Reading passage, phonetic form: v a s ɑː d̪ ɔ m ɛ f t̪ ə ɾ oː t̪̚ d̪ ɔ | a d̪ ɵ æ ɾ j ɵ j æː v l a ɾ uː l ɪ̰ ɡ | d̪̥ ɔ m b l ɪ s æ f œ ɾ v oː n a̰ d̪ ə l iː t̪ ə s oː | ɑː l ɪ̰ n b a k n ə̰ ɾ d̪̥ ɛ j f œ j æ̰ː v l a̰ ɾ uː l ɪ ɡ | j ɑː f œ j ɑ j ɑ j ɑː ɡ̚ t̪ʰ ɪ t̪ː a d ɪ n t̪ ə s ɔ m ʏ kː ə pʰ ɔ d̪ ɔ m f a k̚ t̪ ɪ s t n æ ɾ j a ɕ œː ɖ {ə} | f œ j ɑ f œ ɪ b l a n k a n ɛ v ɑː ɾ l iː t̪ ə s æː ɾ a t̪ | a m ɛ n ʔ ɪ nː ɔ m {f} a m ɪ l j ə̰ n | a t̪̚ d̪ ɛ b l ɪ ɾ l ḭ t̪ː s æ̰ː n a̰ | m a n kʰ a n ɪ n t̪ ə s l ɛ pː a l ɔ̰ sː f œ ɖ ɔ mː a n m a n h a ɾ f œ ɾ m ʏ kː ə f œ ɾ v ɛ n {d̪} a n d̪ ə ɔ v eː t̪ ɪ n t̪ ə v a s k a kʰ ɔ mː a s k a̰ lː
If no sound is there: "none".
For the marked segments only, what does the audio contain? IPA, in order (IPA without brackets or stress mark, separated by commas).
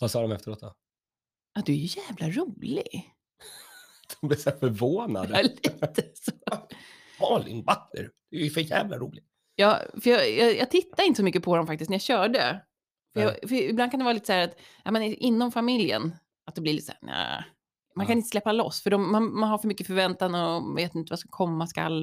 ə, f, t̪